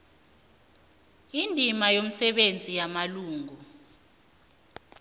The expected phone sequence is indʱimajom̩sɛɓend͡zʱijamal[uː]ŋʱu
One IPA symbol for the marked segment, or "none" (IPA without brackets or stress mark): uː